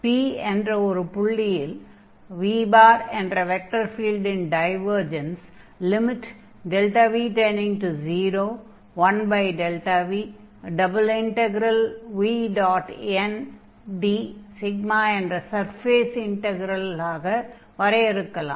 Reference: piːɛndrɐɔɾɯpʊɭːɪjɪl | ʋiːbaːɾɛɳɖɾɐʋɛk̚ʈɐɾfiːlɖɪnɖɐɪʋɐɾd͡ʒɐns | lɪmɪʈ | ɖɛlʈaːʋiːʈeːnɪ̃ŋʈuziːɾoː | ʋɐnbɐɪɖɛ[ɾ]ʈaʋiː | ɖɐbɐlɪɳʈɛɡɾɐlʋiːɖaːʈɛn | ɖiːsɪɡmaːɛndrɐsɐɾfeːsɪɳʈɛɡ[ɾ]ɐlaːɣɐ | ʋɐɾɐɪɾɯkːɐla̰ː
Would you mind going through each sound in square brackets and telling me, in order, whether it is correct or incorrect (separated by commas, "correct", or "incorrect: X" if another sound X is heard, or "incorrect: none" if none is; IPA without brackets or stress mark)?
incorrect: l, correct